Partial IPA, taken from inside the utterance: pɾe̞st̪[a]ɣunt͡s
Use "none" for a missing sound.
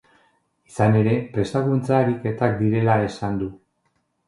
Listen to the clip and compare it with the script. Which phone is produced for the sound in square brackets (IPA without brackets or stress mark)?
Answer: a